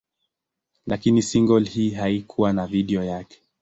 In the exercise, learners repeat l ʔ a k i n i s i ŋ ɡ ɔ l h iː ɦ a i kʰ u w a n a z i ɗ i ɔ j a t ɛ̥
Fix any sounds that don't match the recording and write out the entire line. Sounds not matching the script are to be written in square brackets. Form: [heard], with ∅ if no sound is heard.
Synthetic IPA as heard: l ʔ a k i n i s i ŋ ɡ ɔ l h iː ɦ a i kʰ u w a n a [v] i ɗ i ɔ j a [k] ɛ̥